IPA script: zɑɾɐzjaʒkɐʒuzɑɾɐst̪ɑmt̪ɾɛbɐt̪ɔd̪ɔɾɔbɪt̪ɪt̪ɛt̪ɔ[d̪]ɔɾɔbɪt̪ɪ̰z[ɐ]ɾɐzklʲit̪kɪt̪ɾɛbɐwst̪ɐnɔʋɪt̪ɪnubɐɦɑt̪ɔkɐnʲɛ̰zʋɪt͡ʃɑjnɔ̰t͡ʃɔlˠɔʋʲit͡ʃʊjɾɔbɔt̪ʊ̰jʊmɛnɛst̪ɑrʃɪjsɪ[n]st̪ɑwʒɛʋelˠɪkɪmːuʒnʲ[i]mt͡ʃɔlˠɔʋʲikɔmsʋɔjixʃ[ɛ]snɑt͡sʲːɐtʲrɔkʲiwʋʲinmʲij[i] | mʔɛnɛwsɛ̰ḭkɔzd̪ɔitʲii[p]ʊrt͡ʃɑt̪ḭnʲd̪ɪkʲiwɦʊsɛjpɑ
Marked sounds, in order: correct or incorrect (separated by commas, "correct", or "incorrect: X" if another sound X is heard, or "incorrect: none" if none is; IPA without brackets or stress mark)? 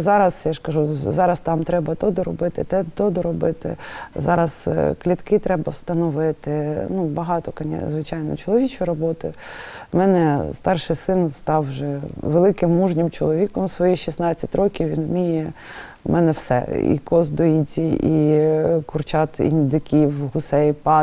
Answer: correct, incorrect: ɑ, correct, incorrect: ɪ, incorrect: i, incorrect: ɛ, incorrect: k